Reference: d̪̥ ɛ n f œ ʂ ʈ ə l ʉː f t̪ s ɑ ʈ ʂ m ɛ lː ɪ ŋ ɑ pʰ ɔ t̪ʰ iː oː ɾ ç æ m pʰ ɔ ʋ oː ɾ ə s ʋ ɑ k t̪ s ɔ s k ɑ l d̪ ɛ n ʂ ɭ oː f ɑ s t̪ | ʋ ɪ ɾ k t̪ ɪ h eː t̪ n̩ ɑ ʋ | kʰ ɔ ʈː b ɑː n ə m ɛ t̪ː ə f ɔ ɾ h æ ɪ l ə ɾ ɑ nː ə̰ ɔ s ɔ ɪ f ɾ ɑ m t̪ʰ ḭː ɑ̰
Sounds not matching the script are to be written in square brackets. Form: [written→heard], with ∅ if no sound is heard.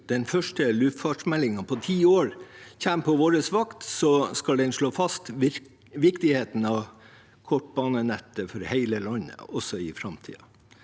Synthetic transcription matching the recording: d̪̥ ɛ n f œ ʂ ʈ ə l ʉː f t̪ [s→f] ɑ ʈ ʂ m ɛ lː ɪ ŋ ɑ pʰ ɔ t̪ʰ iː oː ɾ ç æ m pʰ ɔ ʋ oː ɾ ə s ʋ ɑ k t̪ s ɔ s k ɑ l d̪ ɛ n ʂ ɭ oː f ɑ s t̪ | ʋ ɪ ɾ k t̪ ɪ h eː t̪ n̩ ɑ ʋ | kʰ ɔ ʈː b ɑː n ə [m→n] ɛ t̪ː ə f ɔ ɾ h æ ɪ l ə [ɾ→l] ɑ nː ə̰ ɔ s ɔ ɪ f ɾ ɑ m t̪ʰ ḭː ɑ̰